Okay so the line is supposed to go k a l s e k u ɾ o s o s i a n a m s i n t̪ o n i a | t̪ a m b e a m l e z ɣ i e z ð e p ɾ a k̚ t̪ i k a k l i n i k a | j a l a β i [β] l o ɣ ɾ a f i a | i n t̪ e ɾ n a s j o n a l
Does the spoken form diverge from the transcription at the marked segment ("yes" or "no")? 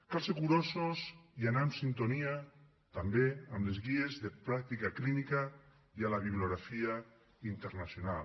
no